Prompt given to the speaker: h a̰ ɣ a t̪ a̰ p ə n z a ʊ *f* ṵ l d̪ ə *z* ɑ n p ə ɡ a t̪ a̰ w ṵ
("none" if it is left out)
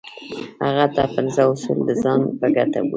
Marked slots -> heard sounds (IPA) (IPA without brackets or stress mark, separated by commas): s, z